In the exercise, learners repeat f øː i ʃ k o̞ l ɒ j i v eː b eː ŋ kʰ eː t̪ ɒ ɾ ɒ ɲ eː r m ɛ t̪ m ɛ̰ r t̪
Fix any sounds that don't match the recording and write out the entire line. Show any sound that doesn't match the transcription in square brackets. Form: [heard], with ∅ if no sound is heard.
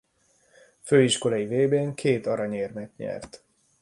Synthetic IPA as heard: f øː i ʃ k o̞ l ɒ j i v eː b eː ŋ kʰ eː t̪ ɒ ɾ ɒ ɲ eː r m ɛ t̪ [ɲ] ɛ̰ r t̪